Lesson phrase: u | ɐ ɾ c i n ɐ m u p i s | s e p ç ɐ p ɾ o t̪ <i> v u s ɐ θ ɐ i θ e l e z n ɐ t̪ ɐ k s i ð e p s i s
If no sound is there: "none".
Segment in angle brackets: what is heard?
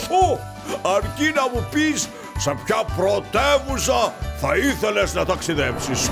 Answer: e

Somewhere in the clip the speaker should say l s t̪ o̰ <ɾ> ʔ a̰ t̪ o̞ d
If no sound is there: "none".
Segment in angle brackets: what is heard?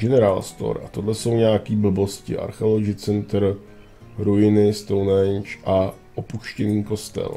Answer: ɾ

